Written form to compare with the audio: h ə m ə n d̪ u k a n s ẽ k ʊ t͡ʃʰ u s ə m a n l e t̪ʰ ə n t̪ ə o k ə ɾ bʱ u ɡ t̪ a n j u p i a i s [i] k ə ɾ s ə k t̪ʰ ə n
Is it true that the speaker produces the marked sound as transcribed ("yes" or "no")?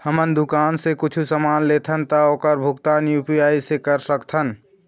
no